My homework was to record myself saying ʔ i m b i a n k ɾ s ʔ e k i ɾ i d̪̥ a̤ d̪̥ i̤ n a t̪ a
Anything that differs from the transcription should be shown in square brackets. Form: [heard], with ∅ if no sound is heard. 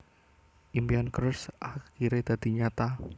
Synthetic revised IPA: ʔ i m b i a n k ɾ s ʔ [a] k i ɾ [e] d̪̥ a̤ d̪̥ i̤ [ɲ] a t̪ a